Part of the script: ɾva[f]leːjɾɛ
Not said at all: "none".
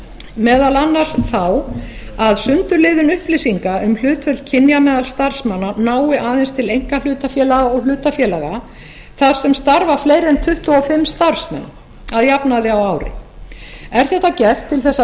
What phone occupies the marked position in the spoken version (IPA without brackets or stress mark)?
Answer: f